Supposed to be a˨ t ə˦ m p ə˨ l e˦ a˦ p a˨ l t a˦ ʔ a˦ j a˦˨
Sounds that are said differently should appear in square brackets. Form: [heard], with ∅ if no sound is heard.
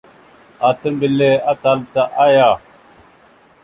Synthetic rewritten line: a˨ t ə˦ m [b] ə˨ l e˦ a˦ [t] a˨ l t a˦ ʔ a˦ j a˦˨